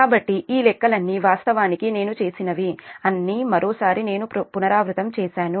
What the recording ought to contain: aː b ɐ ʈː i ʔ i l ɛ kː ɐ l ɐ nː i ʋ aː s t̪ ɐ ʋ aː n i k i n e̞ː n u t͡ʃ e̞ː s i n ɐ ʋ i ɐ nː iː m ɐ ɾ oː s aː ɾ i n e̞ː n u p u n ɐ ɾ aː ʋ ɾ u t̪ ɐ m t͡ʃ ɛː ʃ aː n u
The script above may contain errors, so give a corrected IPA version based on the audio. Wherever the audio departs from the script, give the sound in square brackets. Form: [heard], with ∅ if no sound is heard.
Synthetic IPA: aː b ɐ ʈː i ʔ [iː] l ɛ kː ɐ l ɐ nː i ʋ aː s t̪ ɐ ʋ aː n i k i n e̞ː n u t͡ʃ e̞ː s i n ɐ ʋ i ɐ nː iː m ɐ ɾ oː s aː ɾ i n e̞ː n u p u n ɐ ɾ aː ʋ ɾ u t̪ ɐ m t͡ʃ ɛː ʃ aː n u